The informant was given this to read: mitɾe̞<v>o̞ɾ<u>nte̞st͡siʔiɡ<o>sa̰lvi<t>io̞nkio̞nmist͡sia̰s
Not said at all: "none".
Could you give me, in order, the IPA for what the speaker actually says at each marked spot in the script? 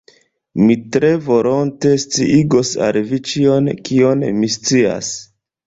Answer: v, o, o, t͡ʃ

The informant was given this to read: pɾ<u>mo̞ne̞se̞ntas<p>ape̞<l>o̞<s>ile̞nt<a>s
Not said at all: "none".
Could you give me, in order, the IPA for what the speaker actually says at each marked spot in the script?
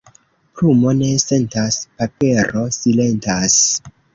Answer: u, p, ɾ, s, a

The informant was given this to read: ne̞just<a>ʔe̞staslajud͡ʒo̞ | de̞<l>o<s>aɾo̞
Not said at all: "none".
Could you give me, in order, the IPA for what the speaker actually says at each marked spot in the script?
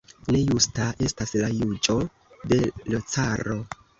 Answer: a, l, t͡s

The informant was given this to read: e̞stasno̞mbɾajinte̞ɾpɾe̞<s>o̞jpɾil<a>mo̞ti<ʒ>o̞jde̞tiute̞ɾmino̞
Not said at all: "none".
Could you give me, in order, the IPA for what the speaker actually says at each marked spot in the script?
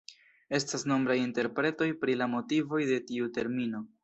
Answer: t, a, v

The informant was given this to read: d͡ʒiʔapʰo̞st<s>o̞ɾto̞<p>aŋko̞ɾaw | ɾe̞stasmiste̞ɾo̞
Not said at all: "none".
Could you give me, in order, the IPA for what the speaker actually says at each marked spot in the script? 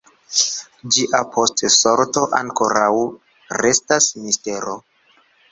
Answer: s, ʔ

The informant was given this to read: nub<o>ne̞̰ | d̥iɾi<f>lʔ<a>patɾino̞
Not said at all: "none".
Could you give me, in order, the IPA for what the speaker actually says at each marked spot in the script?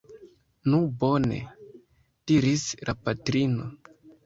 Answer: o, s, a

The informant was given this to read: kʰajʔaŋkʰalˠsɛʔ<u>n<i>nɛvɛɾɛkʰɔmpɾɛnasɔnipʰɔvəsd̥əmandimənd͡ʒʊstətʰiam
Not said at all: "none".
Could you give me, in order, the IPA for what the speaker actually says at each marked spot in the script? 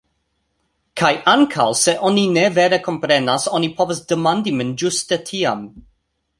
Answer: ɔ, i

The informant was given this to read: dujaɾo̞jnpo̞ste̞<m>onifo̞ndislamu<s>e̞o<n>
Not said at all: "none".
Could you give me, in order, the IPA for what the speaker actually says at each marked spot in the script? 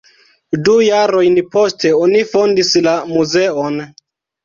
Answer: none, z, n

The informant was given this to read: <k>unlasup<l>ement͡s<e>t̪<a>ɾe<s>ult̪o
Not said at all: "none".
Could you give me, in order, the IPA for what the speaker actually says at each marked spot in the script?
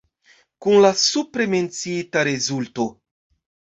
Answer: k, ɾ, i, a, z

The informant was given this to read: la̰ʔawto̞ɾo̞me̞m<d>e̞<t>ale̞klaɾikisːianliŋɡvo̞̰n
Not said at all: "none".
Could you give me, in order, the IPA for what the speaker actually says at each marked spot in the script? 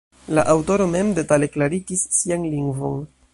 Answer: d, t

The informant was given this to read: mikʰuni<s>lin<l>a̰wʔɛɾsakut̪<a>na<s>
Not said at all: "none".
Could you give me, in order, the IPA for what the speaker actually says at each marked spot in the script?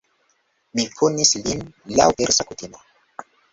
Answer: s, l, i, none

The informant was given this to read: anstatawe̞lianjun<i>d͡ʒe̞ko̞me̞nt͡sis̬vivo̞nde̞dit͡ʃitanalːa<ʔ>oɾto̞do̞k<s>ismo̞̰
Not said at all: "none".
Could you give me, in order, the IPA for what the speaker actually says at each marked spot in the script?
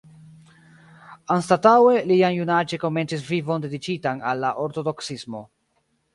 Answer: a, ʔ, s

